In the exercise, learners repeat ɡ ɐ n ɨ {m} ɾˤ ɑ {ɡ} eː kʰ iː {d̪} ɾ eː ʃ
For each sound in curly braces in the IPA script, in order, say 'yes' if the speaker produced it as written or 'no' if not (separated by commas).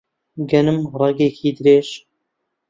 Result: yes, yes, yes